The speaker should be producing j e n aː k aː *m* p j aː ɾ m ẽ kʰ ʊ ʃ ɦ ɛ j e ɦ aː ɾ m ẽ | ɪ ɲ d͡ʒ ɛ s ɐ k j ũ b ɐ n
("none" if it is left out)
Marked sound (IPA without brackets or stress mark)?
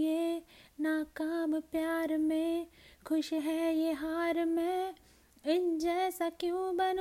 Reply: m